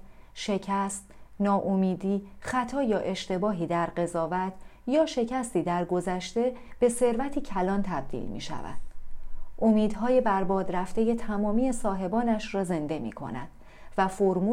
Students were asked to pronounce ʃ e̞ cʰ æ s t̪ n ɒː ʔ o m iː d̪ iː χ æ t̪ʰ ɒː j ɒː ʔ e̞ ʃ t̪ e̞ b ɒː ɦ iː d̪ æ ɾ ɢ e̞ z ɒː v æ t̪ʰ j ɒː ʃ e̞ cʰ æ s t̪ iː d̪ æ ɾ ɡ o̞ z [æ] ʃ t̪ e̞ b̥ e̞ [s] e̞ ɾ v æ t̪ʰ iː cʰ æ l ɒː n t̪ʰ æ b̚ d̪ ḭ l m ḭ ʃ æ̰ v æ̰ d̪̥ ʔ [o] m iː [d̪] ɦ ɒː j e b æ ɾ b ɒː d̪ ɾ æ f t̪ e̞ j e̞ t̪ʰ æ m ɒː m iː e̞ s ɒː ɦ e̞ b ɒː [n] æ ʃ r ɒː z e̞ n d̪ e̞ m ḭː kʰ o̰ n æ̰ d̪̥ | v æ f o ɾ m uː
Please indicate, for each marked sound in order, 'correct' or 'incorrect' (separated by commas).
correct, correct, correct, correct, correct